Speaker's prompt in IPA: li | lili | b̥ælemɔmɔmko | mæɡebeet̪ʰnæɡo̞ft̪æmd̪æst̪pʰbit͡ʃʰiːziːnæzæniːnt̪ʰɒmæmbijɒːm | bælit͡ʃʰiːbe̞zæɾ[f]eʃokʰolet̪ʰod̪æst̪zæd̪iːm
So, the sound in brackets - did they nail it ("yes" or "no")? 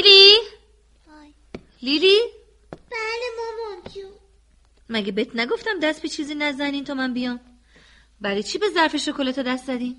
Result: yes